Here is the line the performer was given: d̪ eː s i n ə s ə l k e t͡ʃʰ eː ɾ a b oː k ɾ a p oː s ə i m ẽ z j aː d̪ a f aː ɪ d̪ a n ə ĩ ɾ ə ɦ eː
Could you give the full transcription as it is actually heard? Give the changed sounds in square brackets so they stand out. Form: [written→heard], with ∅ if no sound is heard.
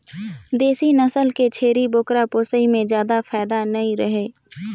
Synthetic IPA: d̪ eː s i n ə s ə l k e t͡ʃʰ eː ɾ [a→i] b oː k ɾ a p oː s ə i m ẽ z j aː d̪ a f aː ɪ d̪ a n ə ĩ ɾ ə ɦ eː